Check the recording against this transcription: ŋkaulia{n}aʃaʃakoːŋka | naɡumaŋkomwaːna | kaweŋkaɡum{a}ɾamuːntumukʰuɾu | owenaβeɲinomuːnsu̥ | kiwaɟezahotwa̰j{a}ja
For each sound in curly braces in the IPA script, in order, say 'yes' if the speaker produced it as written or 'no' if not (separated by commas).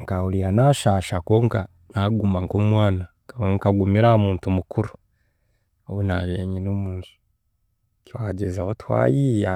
yes, no, no